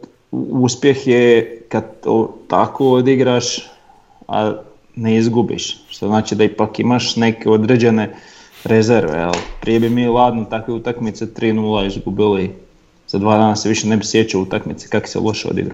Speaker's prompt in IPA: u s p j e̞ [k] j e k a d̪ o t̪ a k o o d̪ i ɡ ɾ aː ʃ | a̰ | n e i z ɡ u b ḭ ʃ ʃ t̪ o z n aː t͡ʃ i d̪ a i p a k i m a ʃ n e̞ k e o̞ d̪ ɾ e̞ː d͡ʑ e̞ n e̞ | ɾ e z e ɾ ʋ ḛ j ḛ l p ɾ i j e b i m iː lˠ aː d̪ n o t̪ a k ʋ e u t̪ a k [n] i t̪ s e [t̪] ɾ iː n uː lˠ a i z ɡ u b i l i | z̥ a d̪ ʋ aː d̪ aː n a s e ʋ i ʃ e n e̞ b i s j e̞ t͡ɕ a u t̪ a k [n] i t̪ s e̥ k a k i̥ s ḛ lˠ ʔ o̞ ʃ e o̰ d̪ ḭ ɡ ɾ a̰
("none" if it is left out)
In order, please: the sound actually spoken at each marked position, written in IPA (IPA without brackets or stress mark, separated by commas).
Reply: x, m, t̪, m